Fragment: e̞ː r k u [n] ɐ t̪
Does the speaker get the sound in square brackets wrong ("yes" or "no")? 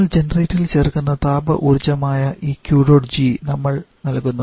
yes